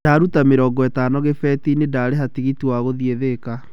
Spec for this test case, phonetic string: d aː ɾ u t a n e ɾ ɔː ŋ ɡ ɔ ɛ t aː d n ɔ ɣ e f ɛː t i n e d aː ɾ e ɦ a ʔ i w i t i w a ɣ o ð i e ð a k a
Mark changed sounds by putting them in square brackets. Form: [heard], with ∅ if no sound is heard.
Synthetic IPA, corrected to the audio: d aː ɾ u t a [m] e ɾ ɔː ŋ ɡ ɔ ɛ t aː [∅] n ɔ ɣ e f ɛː t i n e d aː ɾ e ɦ a [t] i [ɣ] i t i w a ɣ o ð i e ð [e] k a